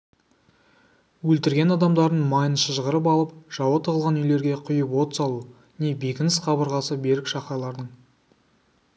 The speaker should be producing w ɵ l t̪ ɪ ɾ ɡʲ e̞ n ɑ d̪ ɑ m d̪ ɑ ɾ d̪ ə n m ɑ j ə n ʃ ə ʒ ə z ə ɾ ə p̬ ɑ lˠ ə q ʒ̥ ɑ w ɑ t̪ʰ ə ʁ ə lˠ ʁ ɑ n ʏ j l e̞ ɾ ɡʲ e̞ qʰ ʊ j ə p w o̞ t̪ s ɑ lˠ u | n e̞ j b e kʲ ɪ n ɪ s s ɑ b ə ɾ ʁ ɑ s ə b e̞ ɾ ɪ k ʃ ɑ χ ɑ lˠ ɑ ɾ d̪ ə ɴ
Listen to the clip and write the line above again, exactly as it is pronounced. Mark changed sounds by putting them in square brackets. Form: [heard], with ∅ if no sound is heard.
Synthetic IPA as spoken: w ɵ l t̪ ɪ ɾ ɡʲ e̞ n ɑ d̪ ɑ m d̪ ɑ ɾ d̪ ə n m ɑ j ə n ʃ ə ʒ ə [ʁ] ə ɾ ə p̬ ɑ lˠ ə [p] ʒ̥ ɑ w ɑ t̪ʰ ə ʁ ə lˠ ʁ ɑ n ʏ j l e̞ ɾ ɡʲ e̞ qʰ ʊ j ə p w o̞ t̪ s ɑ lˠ u | n e̞ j b e kʲ ɪ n ɪ s [χ] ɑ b ə ɾ ʁ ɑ s ə b e̞ ɾ ɪ k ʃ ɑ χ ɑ lˠ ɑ ɾ d̪ ə ɴ